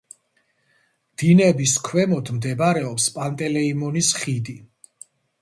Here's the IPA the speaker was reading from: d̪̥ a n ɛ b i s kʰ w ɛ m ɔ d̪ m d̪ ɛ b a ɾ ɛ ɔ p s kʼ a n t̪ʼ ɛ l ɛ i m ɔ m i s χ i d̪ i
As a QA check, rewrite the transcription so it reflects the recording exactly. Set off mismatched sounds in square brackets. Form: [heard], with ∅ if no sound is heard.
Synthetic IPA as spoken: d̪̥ [i] n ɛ b i s kʰ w ɛ m ɔ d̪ m d̪ ɛ b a ɾ ɛ ɔ p s [pʼ] a n t̪ʼ ɛ l ɛ i m ɔ [n] i s χ i d̪ i